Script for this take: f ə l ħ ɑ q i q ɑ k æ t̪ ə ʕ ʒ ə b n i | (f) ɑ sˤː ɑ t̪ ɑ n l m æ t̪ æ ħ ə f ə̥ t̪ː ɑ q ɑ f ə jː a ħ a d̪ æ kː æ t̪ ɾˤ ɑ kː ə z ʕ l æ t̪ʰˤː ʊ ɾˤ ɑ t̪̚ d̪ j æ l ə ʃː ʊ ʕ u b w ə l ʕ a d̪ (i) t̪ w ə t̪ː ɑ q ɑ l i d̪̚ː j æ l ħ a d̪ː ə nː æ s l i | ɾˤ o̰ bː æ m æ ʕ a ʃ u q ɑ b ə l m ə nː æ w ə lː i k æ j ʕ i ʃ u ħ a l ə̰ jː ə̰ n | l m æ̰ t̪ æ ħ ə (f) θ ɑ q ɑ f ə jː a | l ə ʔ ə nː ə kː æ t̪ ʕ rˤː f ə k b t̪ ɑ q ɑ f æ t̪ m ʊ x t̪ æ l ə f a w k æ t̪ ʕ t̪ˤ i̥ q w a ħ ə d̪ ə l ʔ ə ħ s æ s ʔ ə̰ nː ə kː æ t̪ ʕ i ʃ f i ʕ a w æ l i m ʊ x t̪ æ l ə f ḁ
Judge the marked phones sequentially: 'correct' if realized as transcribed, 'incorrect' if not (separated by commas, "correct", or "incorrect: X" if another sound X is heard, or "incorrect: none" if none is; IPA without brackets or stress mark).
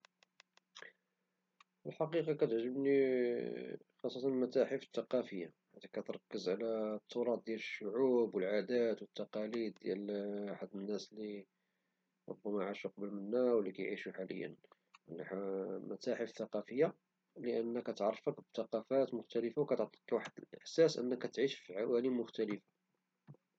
incorrect: x, incorrect: æ, correct